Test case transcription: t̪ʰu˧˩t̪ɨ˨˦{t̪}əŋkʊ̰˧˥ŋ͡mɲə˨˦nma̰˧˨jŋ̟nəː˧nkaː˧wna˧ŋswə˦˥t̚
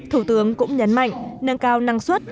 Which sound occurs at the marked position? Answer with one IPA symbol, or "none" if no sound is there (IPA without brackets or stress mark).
none